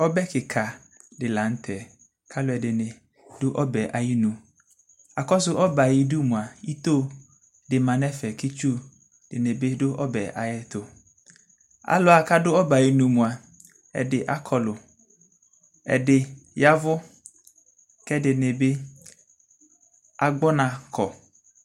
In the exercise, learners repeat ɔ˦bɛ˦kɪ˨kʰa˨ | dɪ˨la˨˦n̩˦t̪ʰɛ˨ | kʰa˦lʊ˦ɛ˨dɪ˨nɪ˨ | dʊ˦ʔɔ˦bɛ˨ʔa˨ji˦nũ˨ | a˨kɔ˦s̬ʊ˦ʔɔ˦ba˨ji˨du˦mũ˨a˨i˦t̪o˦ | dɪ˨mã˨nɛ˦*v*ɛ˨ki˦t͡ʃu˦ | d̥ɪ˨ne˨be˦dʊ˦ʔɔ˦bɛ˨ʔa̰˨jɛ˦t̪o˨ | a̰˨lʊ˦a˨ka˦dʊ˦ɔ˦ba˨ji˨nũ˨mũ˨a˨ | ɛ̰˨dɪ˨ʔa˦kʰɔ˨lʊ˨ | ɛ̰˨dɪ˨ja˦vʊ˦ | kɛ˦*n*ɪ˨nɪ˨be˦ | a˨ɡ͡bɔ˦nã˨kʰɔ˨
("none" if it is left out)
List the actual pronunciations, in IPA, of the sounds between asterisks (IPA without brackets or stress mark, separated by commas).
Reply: f, d